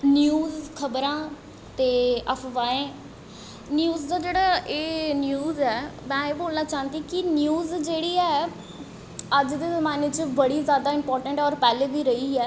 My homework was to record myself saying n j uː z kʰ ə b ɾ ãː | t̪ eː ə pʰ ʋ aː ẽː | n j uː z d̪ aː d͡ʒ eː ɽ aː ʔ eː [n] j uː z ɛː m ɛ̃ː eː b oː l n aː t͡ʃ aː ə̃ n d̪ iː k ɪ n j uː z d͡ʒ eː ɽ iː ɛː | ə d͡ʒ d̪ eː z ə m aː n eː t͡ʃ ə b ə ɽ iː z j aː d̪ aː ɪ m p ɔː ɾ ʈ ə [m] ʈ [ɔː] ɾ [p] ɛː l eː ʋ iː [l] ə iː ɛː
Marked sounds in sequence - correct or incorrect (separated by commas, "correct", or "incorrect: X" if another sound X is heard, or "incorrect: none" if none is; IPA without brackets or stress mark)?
correct, incorrect: ɳ, correct, correct, incorrect: ɾ